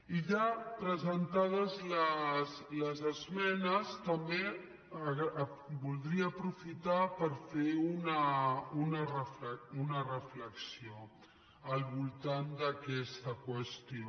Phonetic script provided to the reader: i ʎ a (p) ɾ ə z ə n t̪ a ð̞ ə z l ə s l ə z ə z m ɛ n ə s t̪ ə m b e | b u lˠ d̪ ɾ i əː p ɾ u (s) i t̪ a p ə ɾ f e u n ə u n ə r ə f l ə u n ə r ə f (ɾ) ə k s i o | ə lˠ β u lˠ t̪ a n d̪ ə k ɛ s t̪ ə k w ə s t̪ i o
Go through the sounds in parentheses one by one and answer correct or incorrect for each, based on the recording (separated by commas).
correct, incorrect, incorrect